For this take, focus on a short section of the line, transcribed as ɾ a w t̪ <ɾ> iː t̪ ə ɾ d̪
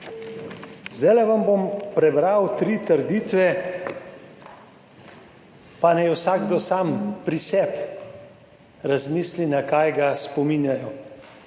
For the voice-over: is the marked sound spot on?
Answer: yes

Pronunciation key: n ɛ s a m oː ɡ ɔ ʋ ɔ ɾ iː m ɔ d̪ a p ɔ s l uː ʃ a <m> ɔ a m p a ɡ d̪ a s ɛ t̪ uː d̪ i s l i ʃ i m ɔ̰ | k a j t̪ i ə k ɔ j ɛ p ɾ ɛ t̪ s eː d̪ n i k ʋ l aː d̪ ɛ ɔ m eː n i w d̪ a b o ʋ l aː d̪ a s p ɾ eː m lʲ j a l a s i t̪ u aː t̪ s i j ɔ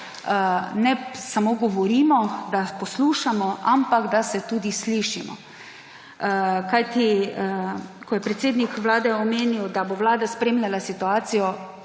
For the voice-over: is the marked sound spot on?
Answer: yes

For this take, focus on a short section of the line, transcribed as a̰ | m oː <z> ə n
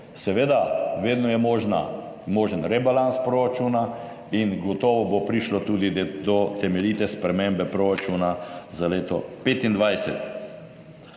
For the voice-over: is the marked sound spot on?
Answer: no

